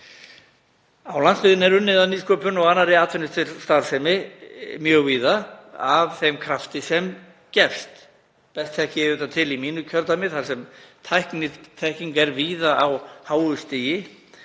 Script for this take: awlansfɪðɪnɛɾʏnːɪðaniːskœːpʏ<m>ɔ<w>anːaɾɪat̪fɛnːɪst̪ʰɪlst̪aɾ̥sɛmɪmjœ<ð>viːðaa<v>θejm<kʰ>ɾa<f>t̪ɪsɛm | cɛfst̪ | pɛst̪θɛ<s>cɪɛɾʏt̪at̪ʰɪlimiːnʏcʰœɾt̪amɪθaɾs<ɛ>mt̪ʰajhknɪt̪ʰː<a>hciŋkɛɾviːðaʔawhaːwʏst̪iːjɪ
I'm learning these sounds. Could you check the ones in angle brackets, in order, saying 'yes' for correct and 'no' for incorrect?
no, no, no, yes, yes, yes, no, yes, no

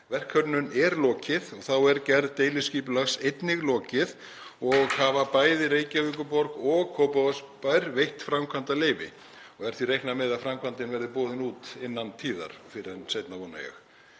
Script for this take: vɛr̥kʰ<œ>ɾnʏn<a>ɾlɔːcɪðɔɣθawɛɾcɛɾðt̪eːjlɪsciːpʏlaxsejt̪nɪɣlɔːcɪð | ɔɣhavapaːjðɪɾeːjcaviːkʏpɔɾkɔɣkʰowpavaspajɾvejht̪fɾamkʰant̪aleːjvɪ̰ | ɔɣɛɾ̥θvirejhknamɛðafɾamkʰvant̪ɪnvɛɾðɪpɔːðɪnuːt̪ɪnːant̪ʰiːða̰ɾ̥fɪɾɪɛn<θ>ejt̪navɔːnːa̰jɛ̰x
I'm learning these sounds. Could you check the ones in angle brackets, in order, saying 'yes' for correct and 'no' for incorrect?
yes, no, no

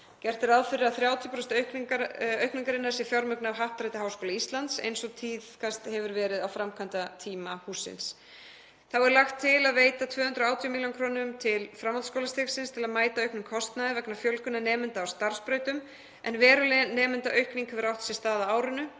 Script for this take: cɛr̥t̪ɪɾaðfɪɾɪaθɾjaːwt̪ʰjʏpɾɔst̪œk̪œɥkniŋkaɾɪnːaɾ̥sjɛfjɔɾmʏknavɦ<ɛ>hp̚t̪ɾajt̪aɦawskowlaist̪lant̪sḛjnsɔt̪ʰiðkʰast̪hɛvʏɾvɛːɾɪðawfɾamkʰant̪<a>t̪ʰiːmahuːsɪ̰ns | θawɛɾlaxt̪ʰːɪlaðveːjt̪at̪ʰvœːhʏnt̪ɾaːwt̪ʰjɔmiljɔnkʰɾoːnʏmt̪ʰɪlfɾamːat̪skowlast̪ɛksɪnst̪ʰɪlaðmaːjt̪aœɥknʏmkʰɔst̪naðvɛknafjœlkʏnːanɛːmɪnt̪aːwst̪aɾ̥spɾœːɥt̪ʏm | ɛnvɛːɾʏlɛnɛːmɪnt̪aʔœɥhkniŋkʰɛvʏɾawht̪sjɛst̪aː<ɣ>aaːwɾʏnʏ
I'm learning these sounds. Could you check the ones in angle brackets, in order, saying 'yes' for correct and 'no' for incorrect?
no, yes, no

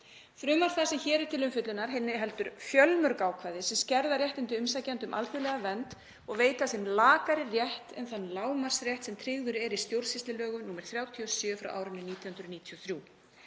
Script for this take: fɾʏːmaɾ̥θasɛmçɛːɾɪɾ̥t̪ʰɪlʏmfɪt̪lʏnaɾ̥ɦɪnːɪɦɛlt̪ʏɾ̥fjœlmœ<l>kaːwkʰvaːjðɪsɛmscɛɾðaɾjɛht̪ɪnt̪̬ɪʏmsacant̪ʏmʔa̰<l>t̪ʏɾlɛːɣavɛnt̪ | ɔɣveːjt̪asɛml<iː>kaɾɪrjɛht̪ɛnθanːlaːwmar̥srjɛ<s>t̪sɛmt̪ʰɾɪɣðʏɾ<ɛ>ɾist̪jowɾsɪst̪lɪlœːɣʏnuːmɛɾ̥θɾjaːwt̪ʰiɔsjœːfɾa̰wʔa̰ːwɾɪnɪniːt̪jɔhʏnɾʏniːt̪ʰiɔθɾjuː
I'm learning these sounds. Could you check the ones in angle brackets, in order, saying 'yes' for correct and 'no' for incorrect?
no, yes, no, no, yes

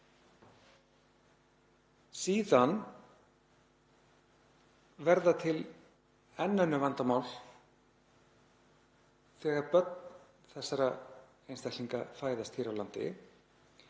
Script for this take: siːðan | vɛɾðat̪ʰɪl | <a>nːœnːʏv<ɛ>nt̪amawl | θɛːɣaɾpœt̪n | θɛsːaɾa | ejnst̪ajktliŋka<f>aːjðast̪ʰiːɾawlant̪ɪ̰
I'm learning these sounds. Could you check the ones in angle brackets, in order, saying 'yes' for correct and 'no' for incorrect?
no, no, yes

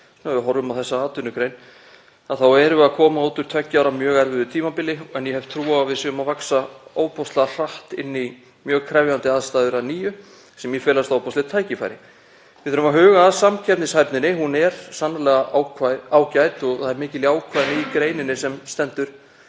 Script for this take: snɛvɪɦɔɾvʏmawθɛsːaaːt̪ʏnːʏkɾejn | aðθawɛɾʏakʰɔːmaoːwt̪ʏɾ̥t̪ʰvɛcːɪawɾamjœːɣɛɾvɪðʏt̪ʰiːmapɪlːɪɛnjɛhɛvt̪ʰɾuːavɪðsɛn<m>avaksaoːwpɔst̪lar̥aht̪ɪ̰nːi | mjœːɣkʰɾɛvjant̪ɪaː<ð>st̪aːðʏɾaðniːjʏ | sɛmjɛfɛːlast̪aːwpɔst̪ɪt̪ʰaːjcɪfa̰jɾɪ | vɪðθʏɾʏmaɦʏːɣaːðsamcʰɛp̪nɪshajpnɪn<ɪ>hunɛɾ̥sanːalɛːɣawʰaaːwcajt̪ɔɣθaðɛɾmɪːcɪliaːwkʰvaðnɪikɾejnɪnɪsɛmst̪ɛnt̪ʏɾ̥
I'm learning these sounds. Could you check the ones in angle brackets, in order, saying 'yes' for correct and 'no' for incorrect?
yes, yes, yes

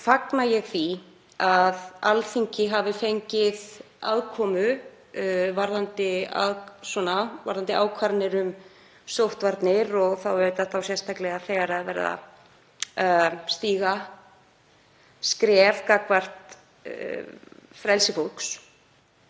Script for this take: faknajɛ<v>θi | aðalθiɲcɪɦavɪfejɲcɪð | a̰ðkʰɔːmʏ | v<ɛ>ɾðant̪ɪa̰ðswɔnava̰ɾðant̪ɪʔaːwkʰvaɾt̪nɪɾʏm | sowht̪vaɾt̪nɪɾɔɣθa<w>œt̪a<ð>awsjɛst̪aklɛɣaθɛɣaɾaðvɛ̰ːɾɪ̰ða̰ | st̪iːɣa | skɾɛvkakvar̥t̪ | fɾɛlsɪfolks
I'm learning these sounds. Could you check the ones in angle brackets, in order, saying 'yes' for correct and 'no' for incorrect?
no, no, yes, no

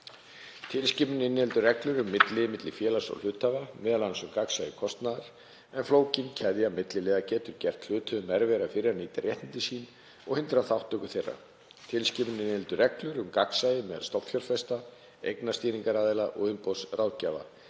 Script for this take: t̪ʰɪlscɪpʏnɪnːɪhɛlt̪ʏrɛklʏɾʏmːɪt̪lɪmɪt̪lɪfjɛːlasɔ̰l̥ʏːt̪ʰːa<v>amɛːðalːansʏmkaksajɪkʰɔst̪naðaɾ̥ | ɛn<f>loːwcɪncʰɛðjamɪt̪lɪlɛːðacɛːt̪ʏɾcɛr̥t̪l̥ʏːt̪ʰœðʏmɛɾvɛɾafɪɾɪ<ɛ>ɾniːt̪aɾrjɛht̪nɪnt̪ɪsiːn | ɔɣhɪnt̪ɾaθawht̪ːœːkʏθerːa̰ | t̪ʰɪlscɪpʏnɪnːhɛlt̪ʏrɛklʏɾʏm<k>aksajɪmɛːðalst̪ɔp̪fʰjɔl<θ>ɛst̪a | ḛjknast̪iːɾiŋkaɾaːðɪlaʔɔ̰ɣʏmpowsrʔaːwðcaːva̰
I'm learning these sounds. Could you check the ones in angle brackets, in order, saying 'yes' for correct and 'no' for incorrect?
yes, yes, no, yes, no

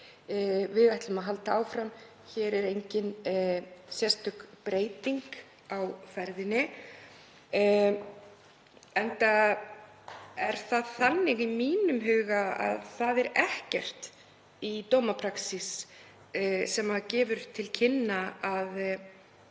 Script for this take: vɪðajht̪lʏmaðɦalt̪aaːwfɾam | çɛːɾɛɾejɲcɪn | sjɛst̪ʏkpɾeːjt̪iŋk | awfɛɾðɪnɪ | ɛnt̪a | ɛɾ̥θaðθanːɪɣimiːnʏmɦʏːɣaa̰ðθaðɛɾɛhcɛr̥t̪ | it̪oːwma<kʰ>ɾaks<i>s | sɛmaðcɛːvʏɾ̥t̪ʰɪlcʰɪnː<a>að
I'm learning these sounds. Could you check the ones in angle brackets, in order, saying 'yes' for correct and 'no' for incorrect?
no, yes, yes

